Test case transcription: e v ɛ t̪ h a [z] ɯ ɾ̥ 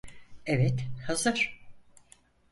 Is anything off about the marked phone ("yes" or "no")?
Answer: no